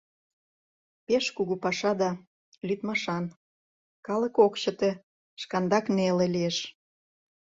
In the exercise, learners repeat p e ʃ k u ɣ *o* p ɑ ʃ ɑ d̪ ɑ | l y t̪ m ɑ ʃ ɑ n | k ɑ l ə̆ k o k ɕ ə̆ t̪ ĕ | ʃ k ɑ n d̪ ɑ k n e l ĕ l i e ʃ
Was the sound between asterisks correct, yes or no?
no